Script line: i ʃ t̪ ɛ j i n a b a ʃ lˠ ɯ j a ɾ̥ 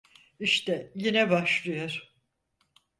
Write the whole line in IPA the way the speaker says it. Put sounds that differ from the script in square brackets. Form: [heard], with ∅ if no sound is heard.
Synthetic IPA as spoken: i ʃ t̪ ɛ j i n [ɛ] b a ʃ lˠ ɯ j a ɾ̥